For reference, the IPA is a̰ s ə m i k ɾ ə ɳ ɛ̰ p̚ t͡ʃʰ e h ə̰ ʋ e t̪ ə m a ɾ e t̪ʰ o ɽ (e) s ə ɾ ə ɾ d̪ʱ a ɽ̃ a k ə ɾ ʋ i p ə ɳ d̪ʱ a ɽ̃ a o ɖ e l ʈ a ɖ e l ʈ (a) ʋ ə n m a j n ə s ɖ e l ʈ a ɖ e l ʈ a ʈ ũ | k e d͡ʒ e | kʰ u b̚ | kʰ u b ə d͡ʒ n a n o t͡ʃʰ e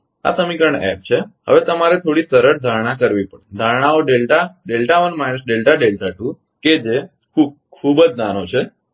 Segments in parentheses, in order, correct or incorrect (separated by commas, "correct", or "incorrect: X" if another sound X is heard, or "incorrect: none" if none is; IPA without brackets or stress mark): incorrect: i, correct